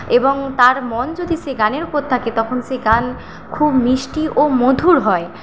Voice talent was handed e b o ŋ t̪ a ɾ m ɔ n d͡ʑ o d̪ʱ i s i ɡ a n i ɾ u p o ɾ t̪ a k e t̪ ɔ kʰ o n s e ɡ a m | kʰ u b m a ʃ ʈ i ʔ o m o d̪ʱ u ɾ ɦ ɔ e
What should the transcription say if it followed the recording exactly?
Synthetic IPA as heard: e b o ŋ t̪ a ɾ m ɔ n d͡ʑ o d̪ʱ i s e ɡ a n e ɾ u p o ɾ t̪ʰ a k e t̪ ɔ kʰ o n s e ɡ a n | kʰ u b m i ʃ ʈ i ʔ o m o d̪ʱ u ɾ ɦ ɔ e